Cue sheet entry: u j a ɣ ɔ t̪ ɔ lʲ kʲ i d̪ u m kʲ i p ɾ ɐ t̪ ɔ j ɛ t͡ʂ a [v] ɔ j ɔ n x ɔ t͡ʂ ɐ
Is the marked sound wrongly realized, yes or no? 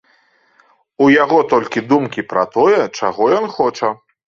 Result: yes